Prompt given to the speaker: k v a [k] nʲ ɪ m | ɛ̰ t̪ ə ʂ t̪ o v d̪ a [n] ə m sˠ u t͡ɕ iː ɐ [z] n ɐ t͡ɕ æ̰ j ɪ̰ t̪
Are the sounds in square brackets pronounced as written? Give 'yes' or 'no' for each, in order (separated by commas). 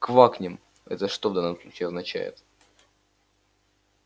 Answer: yes, no, yes